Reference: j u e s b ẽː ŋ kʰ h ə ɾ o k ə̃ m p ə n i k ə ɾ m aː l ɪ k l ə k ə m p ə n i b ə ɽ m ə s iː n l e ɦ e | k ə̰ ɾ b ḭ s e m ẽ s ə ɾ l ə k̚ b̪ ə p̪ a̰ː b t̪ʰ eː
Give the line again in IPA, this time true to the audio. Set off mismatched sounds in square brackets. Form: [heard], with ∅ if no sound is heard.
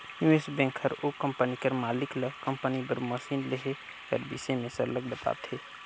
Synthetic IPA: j u e s b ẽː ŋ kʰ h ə ɾ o k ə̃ m p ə n i k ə ɾ m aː l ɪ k l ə k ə m p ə n i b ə [ɾ] m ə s iː n l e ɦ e | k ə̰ ɾ b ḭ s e m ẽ s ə ɾ l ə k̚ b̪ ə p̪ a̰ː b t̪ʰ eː